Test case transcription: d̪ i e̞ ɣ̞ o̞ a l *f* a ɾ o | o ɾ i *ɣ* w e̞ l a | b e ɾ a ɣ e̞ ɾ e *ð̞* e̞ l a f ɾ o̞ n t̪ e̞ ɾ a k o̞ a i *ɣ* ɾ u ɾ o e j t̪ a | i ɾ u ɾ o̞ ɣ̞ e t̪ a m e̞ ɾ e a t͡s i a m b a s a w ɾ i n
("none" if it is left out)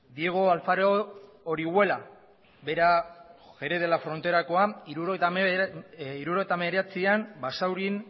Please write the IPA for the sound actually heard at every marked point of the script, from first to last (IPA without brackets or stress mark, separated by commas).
f, ɣ, ð̞, none